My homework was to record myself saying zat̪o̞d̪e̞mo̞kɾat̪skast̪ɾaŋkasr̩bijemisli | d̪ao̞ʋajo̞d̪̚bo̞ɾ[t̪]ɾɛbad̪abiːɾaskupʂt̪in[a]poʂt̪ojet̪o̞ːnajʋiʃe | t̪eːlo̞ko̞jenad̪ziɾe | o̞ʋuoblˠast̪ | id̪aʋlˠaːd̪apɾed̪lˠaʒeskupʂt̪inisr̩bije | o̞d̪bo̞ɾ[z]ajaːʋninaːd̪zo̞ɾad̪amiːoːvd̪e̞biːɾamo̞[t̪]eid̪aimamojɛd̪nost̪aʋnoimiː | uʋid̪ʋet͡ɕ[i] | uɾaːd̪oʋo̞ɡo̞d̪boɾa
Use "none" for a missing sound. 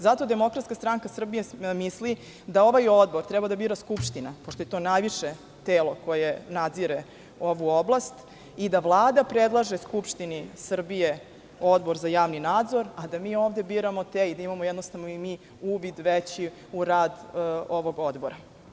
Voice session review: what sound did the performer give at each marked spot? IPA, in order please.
t̪, a, z, t̪, i

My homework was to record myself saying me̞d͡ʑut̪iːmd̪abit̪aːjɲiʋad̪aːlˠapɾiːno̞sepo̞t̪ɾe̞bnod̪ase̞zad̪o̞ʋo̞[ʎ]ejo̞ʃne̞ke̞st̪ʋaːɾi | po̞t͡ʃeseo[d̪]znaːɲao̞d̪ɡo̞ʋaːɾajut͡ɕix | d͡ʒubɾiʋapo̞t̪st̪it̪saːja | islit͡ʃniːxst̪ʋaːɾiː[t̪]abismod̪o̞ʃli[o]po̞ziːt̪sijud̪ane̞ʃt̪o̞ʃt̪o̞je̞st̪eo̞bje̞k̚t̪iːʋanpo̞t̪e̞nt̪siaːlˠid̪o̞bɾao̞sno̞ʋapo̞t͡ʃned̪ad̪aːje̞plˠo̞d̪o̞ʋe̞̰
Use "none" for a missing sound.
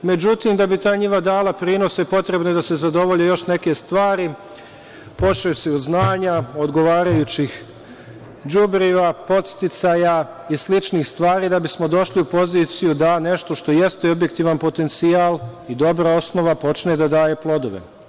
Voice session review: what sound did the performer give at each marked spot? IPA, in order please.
ʎ, d̪, d̪, u

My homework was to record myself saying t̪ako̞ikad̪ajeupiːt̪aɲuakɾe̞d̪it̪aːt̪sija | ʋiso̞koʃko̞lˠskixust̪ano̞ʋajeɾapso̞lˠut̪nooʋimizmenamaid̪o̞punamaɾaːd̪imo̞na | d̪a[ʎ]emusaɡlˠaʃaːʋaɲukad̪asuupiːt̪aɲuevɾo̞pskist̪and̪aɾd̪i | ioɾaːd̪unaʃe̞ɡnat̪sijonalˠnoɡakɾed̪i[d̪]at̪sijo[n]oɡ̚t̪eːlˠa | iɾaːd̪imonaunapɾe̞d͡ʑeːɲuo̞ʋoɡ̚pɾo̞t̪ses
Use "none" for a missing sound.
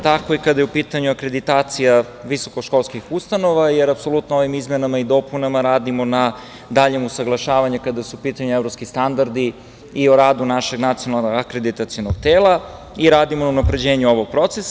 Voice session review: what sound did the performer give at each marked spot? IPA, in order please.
ʎ, t̪, n

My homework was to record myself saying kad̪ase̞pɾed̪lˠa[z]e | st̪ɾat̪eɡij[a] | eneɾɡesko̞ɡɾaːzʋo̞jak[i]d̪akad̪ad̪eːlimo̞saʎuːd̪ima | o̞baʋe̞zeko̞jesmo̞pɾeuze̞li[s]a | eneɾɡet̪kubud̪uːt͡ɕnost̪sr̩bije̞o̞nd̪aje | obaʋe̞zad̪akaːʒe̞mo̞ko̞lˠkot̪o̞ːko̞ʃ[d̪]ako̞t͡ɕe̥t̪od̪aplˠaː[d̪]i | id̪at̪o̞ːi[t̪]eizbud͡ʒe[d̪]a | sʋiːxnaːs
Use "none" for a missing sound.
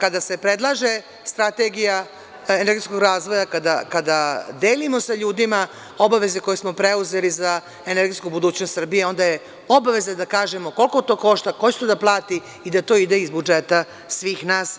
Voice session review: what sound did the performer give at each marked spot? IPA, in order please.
ʒ, a, a, z, t̪, t̪, d̪, t̪

